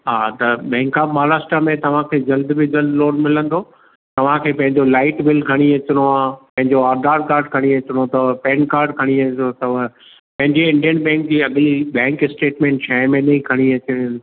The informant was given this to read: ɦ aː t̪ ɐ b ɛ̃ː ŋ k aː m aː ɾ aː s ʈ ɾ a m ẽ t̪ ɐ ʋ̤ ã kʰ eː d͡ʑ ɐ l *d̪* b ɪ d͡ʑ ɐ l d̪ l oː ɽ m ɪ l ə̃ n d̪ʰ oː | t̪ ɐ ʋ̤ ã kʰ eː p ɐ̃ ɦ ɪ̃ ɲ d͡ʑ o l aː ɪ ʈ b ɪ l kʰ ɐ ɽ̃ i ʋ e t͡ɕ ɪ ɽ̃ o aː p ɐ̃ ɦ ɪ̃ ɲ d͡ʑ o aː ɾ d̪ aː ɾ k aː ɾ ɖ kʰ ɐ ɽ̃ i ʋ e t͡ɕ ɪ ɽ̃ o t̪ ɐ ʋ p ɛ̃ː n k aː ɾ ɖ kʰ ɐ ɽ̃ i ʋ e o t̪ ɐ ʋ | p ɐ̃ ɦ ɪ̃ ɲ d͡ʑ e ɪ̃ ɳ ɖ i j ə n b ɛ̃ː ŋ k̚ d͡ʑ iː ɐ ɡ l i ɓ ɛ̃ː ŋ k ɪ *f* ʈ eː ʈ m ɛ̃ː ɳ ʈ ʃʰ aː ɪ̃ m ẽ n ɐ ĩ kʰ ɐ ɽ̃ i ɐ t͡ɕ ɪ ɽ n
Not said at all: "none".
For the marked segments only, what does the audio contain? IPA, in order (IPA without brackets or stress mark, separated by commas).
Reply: d̪, s